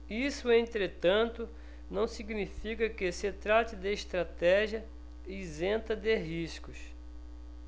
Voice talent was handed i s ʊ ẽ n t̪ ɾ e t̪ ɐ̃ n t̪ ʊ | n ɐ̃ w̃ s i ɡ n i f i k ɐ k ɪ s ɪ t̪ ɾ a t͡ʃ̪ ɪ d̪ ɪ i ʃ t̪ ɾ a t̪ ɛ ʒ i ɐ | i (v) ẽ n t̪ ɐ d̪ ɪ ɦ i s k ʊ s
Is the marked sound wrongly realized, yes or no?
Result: yes